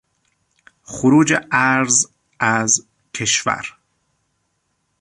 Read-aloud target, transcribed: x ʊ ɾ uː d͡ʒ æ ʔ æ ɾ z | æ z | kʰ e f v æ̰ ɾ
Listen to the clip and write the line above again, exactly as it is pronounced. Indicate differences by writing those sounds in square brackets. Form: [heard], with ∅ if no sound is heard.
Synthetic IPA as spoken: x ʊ ɾ uː d͡ʒ [e] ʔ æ ɾ z | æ z | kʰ e [ʃ] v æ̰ ɾ